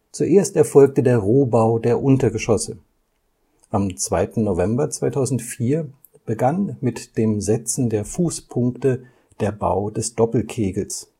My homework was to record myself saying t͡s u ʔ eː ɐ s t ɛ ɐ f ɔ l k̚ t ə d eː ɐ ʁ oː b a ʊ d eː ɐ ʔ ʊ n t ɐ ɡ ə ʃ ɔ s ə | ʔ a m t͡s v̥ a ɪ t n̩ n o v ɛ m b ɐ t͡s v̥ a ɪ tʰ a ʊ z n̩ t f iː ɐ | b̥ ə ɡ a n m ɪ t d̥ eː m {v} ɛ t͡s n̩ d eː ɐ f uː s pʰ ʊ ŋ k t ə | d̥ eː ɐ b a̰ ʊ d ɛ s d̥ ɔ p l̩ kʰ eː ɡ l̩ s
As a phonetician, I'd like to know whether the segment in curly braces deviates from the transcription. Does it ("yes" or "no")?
yes